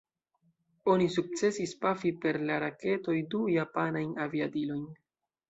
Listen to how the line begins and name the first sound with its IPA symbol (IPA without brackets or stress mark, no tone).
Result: o̞